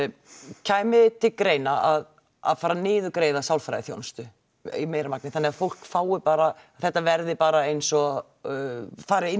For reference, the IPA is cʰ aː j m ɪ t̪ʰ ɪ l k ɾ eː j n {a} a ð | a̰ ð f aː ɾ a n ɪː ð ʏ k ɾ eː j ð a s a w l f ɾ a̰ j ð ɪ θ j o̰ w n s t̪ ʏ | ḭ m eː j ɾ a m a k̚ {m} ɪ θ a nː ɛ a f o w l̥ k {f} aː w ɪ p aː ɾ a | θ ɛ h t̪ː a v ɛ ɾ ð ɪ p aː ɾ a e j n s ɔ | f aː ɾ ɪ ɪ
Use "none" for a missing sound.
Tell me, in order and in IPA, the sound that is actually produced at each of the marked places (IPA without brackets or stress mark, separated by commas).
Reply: a, n, f